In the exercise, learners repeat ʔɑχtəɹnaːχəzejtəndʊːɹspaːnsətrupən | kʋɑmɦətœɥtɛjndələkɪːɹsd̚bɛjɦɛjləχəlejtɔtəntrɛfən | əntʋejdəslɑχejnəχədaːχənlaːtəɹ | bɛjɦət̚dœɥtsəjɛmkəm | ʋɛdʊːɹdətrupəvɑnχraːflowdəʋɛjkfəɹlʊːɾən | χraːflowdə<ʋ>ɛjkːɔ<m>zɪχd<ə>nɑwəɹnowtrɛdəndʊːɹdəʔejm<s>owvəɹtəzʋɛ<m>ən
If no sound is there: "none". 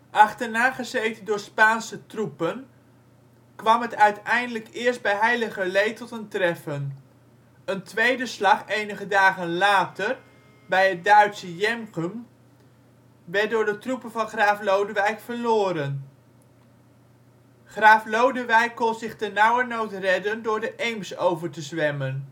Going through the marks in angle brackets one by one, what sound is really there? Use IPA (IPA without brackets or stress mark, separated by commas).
ʋ, n, ə, s, m